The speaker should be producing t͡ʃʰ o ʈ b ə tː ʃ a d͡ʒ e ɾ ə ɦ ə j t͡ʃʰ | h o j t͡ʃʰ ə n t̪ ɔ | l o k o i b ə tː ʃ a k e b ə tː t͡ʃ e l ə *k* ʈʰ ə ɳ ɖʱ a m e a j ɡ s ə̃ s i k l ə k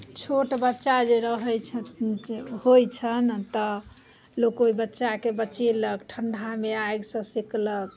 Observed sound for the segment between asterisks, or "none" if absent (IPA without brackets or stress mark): k